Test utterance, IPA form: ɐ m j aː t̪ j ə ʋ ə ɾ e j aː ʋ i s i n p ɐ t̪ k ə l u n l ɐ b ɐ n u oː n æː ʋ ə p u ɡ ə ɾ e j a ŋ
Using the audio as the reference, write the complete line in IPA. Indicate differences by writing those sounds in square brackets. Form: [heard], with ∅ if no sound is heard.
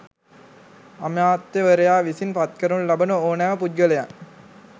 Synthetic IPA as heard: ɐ m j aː t̪ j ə ʋ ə ɾ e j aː ʋ i s i n p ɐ t̪ k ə [ɾ] u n l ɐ b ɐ n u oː n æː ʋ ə p u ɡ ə [l] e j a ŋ